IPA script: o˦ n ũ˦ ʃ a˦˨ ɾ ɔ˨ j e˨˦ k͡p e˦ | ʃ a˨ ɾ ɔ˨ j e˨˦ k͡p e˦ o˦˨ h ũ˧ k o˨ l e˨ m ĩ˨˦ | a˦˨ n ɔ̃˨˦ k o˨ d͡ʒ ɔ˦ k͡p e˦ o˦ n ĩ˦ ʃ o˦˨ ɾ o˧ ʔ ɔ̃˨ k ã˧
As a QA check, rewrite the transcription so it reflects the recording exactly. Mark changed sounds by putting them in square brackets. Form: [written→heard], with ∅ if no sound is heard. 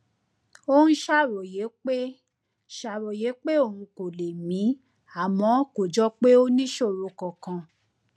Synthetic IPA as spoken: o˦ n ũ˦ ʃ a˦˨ ɾ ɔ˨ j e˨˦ k͡p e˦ | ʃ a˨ ɾ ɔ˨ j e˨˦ k͡p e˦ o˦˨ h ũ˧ k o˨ l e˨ m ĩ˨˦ | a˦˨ [n→m] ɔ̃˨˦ k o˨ d͡ʒ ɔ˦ k͡p e˦ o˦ n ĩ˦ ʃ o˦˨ ɾ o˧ [ʔ→k] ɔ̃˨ k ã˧